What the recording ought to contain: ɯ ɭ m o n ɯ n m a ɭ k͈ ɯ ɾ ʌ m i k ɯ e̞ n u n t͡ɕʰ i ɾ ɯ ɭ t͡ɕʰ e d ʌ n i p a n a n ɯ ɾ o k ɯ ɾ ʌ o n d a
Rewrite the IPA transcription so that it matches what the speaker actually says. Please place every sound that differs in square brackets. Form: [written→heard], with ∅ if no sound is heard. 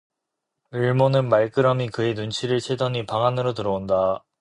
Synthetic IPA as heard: ɯ ɭ m o n ɯ n m a ɭ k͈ ɯ ɾ ʌ m i k ɯ e̞ n u n t͡ɕʰ i ɾ ɯ ɭ t͡ɕʰ e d ʌ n i p a [n→ŋ] a n ɯ ɾ o [k→t] ɯ ɾ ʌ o n d a

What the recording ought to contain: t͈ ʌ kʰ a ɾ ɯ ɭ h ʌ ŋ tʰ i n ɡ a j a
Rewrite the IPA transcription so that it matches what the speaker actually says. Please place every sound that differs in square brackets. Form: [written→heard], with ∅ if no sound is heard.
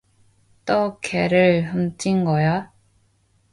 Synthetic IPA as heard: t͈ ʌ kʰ [a→e] ɾ ɯ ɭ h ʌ [ŋ→m] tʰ i n ɡ [a→ʌ] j a

